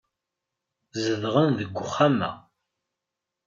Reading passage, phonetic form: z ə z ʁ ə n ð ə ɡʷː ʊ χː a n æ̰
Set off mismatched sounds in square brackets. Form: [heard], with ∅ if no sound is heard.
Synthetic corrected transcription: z ə [ð] ʁ ə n ð ə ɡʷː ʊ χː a [m] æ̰